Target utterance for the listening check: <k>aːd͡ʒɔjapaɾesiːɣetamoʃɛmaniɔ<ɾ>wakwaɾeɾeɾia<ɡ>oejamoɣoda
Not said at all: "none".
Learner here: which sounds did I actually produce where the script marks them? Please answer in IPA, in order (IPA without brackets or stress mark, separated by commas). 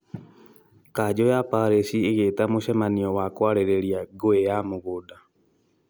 k, none, ɡ